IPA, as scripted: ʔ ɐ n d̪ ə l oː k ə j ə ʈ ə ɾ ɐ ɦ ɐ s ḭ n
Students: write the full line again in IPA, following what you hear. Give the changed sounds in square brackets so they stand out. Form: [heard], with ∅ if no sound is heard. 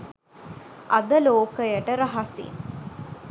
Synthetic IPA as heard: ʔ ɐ [∅] d̪ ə l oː k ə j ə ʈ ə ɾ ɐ ɦ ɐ s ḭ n